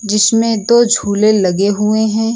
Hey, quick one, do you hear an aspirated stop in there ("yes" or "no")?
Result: no